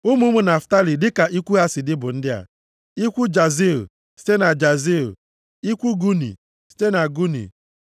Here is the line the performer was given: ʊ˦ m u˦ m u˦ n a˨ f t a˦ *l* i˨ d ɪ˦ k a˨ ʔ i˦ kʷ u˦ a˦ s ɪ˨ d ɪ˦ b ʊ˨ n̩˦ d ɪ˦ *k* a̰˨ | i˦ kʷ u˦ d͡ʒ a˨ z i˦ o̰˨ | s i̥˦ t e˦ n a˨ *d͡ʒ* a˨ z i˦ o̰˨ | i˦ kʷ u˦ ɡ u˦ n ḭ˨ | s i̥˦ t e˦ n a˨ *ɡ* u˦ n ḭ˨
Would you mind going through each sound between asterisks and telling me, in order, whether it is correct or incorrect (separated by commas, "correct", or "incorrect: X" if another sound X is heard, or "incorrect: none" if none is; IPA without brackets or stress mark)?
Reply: correct, incorrect: none, correct, correct